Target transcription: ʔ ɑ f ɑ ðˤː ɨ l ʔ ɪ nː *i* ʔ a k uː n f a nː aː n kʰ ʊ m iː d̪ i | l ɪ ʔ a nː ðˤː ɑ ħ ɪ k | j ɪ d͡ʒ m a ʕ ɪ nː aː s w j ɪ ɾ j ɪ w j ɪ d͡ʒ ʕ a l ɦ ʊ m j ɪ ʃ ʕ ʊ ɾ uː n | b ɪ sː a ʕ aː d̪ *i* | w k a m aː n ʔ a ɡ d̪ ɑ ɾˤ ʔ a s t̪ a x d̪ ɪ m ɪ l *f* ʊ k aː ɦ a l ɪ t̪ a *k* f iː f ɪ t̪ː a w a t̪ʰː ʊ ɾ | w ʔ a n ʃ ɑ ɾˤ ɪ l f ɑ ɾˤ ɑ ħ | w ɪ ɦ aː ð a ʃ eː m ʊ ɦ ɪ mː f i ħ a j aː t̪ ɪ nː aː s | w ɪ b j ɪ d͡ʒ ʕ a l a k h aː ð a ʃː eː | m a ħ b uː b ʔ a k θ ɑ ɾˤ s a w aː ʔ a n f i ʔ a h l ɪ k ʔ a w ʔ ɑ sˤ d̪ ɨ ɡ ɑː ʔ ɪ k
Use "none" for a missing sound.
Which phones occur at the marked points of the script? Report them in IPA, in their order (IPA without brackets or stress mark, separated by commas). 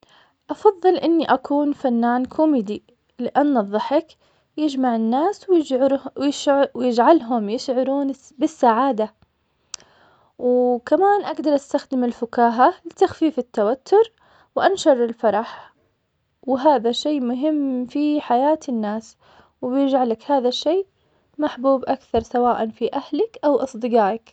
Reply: i, a, f, x